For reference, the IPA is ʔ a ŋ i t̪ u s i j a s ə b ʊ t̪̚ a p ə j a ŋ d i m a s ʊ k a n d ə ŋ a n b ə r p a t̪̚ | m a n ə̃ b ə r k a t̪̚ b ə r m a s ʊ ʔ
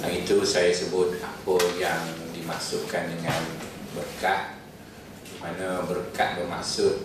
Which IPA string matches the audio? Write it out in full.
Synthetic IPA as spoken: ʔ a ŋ i t̪ u s a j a s ə b ʊ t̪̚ a p ə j a ŋ d i m a s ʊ k a n d ə ŋ a n b ə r k a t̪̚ | m a n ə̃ b ə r k a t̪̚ b ə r m a s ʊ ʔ